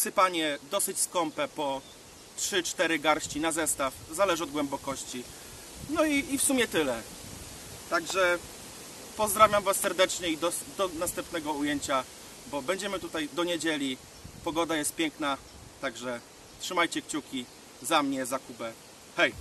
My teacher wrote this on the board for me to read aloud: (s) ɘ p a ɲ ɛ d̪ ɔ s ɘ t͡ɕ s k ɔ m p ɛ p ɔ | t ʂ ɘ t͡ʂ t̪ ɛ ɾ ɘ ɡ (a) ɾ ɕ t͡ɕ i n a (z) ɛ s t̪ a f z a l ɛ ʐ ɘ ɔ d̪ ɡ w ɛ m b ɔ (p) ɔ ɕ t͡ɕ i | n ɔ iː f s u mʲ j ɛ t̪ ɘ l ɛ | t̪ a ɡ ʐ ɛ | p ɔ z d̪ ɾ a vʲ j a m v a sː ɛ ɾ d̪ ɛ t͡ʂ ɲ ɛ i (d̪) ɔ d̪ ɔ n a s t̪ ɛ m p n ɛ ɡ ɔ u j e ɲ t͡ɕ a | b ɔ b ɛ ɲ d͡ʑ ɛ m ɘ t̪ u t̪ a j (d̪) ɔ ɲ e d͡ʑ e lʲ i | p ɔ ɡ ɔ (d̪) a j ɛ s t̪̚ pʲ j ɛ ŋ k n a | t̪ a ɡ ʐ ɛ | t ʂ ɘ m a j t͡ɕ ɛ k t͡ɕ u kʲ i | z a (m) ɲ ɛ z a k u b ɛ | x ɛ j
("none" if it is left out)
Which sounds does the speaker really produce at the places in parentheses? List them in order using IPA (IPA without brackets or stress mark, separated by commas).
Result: s, a, z, k, d̪, d̪, d̪, m